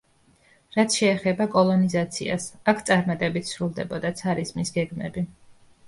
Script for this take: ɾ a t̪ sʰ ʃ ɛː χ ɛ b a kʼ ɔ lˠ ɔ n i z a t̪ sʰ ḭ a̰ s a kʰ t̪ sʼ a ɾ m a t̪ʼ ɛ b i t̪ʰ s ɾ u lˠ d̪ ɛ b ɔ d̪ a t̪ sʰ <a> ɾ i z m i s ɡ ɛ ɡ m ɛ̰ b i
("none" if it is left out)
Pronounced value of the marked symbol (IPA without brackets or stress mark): a